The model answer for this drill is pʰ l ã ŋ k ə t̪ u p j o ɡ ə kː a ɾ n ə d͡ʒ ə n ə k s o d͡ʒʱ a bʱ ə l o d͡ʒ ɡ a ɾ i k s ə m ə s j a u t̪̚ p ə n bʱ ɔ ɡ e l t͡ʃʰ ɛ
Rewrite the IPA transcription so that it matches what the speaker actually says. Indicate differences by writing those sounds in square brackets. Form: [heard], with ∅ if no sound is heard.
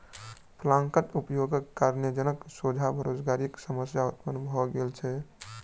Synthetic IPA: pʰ l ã ŋ k ə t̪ u p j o ɡ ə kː a ɾ n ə d͡ʒ ə n ə k s o d͡ʒʱ a bʱ ə [ɾ] o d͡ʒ ɡ a ɾ i k s ə m ə s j a u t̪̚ p ə n bʱ ɔ ɡ e l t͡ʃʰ ɛ